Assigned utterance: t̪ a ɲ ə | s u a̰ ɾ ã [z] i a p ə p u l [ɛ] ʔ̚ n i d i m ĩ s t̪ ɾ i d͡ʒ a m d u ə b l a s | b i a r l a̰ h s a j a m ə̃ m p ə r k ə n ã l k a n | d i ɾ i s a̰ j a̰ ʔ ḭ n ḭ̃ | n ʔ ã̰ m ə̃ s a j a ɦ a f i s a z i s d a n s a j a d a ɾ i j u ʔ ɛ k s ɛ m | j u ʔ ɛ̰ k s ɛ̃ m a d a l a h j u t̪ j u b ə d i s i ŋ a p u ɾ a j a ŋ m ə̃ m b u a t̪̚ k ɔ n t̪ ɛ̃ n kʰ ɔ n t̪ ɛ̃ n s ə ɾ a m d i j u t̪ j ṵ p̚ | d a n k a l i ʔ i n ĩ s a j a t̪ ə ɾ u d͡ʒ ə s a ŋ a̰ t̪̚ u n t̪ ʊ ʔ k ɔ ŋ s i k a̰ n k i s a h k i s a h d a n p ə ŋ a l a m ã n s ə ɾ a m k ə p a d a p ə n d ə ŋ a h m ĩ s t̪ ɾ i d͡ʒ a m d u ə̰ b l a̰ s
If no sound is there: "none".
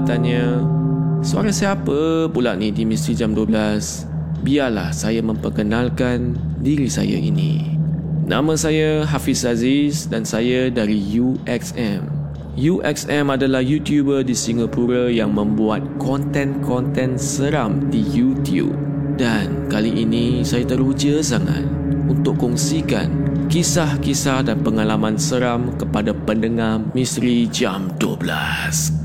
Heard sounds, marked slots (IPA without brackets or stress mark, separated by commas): s, a